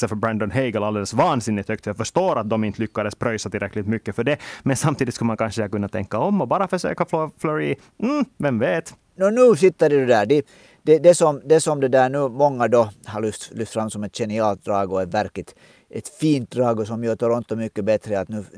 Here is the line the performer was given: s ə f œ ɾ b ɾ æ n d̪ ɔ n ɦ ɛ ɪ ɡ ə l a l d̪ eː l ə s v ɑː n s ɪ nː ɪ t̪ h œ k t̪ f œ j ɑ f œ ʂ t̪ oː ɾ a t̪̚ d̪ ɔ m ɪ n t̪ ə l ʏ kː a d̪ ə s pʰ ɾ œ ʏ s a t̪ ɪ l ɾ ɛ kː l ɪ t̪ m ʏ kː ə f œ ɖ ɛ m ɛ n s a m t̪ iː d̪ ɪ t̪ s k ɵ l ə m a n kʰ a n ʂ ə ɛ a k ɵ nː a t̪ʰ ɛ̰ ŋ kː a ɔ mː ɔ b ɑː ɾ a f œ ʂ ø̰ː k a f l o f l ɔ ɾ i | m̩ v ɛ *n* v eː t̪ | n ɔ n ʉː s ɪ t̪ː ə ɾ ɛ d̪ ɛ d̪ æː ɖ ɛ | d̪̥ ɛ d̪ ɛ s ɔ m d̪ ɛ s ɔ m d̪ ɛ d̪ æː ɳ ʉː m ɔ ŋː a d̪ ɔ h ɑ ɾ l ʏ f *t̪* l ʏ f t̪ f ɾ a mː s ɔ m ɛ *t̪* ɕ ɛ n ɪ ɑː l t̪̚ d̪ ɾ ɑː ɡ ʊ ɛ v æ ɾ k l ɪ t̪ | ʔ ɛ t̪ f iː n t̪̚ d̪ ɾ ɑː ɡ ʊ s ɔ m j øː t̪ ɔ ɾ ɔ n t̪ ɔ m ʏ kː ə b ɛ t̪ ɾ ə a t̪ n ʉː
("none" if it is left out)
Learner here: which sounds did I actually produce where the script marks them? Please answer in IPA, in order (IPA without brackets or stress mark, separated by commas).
m, t̪, t̪